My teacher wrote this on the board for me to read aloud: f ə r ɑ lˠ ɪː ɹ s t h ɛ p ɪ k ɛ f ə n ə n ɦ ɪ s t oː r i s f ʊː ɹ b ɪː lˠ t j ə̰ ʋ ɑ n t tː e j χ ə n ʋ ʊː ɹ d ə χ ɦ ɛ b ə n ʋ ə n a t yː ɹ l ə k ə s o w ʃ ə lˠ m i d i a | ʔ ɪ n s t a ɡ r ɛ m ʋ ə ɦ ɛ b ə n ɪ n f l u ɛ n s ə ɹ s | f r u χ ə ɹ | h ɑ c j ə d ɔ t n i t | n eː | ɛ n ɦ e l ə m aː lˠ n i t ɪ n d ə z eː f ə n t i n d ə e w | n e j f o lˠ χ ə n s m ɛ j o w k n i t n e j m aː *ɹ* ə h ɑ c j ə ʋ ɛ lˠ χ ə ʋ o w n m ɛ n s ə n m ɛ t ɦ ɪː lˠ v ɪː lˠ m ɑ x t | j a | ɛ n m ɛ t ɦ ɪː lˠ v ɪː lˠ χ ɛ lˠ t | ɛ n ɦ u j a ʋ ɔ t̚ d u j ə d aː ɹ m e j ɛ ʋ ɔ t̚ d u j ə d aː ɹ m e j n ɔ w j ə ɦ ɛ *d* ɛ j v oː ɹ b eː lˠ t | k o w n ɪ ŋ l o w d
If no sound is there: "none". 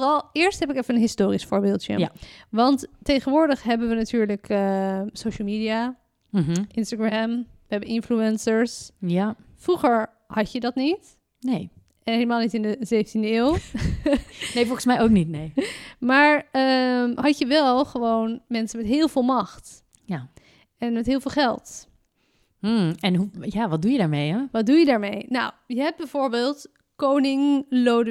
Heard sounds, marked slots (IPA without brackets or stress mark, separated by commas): ɹ, b